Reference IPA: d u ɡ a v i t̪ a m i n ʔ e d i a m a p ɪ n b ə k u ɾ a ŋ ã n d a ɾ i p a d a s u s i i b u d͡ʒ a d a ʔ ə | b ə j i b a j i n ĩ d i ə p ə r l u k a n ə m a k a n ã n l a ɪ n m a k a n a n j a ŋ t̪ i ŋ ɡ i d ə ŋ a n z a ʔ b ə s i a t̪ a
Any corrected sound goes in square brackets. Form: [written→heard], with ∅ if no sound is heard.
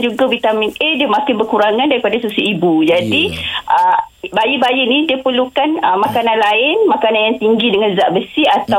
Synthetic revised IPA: [d→d͡ʒ] u ɡ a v i t̪ a m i n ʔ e d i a m a [p→k] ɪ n b ə k u ɾ a ŋ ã n d a ɾ i p a d a s u s i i b u d͡ʒ a d [a→i] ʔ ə | b [ə→a] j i b a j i n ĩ d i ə p ə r l u k a n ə m a k a n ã n l a ɪ n m a k a n a n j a ŋ t̪ i ŋ ɡ i d ə ŋ a n z a ʔ b ə s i a t̪ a